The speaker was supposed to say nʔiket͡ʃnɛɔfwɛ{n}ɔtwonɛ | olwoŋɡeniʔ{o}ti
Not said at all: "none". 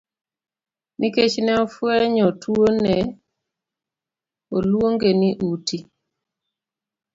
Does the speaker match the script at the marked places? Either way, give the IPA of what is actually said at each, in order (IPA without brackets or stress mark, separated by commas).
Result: ɲ, u